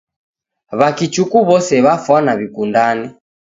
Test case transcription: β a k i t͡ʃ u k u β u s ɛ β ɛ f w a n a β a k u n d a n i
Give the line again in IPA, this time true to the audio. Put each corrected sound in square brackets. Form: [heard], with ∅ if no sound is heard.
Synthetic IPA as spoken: β a k i t͡ʃ u k u β [ɔ] s ɛ β [a] f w a n a β [i] k u n d a n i